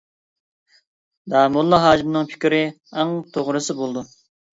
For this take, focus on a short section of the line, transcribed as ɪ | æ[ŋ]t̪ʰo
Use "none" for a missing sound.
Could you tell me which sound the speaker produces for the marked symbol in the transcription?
ŋ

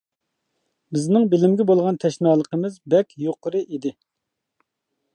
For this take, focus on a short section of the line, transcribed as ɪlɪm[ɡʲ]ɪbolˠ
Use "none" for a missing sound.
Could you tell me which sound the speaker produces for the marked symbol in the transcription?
ɡʲ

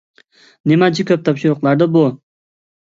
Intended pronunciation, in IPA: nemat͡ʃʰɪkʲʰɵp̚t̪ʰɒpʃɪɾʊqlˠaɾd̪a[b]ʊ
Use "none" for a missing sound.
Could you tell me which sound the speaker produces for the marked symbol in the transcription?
b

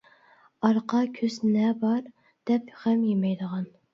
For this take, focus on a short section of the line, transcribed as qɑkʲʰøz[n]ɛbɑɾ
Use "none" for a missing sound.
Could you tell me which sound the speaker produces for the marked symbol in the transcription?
n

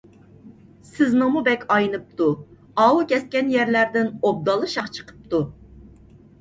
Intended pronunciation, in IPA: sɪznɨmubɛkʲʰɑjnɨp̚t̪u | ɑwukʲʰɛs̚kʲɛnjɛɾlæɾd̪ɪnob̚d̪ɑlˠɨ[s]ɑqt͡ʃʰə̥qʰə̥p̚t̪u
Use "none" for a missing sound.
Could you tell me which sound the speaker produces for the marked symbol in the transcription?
ʃ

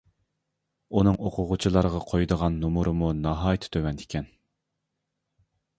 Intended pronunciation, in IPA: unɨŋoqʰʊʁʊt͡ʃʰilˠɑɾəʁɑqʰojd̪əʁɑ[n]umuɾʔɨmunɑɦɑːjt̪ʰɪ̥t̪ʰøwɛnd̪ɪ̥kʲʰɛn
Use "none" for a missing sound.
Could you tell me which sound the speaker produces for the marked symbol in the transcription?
nː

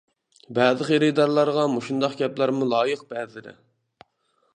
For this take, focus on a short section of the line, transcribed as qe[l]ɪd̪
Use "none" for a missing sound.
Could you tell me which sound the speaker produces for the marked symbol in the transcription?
ɾ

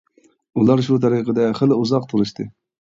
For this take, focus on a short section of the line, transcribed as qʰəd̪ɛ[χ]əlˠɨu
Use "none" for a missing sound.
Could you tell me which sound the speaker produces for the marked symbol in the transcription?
χ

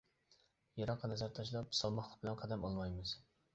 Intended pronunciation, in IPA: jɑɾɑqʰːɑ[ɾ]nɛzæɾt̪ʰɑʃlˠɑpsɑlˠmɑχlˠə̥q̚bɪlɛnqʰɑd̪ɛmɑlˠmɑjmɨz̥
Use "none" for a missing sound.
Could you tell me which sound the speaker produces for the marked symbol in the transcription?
none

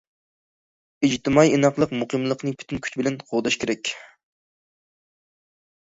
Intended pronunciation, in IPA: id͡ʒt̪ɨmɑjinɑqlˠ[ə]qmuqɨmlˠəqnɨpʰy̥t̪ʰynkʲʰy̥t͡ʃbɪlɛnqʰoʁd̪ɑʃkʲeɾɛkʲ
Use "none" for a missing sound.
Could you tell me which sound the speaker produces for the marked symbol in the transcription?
ə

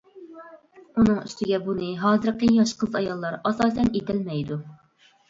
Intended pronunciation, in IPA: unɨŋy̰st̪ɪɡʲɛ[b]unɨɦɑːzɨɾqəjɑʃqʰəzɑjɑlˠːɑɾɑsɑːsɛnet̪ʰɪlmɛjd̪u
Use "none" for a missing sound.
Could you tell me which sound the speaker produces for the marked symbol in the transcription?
b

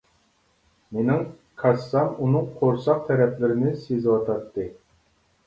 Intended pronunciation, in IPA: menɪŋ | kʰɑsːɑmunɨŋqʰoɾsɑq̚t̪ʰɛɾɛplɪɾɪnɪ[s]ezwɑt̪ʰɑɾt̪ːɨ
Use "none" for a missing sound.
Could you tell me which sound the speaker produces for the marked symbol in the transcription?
s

